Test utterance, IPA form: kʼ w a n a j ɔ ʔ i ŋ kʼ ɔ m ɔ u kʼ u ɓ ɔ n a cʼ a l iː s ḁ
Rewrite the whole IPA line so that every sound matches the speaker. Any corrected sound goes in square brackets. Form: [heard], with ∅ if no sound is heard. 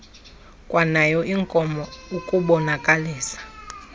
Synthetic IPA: kʼ w a n a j ɔ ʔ i ŋ kʼ ɔ m ɔ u kʼ u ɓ ɔ n a [kʼ] a l iː s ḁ